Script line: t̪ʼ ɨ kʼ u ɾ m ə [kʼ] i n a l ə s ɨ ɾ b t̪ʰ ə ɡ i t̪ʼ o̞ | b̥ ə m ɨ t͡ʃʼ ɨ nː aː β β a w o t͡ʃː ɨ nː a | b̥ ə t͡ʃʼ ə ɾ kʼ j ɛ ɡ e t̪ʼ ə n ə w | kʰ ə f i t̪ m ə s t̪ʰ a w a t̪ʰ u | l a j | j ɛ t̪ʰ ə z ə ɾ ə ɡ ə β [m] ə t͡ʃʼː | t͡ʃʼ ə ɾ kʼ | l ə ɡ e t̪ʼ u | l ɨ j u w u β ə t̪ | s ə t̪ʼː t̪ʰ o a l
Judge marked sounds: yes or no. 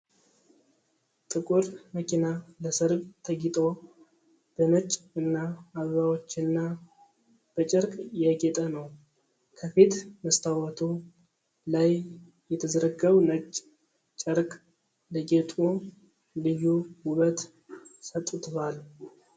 no, no

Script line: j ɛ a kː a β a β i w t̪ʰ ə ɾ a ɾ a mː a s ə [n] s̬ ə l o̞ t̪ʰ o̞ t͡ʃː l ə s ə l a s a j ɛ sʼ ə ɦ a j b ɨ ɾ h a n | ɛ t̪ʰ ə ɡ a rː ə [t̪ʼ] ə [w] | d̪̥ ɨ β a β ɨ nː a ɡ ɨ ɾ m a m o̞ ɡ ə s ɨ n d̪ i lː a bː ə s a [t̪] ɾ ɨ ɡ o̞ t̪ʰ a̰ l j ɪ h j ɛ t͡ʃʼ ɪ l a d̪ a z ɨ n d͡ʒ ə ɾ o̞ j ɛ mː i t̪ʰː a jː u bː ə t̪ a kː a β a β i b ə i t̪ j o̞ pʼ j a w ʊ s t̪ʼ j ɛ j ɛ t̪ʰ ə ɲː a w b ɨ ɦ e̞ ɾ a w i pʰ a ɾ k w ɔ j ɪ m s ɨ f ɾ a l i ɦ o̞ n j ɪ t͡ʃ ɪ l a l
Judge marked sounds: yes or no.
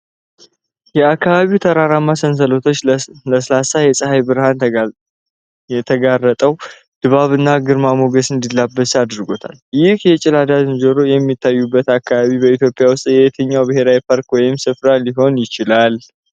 yes, yes, yes, no

